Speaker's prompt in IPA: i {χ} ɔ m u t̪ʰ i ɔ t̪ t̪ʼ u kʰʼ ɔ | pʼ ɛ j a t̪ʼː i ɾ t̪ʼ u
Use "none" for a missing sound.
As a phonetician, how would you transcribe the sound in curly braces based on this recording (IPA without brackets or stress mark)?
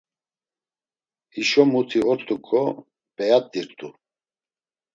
ʃ